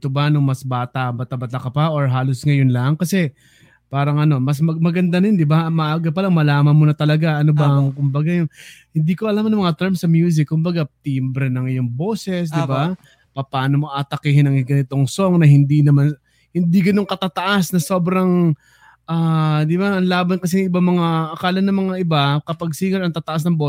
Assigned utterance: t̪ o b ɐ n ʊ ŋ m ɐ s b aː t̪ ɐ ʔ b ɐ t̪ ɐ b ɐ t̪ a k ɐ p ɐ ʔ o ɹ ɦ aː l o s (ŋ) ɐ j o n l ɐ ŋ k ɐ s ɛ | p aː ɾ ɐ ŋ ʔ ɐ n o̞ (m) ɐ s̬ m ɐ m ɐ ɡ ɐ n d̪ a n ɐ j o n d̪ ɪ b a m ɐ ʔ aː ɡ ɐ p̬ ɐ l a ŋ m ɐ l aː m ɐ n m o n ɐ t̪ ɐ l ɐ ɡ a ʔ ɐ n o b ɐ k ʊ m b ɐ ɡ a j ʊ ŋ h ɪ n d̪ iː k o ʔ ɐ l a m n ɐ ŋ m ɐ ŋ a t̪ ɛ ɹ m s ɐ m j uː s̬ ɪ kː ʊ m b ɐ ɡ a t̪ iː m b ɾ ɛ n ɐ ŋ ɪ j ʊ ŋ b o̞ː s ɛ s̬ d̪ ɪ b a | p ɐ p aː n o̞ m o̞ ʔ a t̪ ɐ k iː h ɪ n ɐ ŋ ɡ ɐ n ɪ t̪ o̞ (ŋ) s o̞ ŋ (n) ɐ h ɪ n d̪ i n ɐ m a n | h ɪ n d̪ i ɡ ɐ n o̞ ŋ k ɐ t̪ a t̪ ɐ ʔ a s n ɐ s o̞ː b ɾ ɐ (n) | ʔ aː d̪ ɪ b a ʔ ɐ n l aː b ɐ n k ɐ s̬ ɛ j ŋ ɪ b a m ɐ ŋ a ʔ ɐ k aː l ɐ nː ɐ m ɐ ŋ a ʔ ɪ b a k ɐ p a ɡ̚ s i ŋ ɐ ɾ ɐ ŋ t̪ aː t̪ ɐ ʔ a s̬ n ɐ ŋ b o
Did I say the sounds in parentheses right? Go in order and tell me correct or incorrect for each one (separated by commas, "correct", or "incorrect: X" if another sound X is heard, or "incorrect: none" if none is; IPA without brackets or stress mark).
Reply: correct, correct, correct, correct, incorrect: ŋ